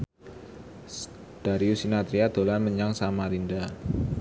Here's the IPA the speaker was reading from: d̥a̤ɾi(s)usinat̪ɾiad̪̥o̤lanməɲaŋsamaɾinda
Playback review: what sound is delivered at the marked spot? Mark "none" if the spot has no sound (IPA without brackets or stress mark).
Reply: none